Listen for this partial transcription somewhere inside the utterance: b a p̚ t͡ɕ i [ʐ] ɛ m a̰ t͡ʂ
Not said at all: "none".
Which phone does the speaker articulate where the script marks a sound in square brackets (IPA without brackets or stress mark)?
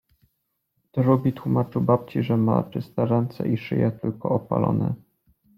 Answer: ʐ